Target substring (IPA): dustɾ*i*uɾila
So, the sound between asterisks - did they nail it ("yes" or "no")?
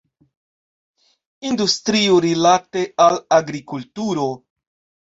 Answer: yes